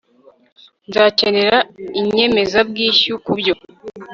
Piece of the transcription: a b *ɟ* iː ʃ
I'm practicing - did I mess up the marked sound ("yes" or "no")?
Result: yes